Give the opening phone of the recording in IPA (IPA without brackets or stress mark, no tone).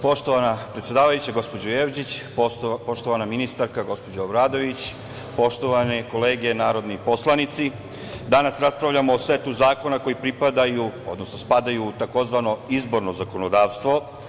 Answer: p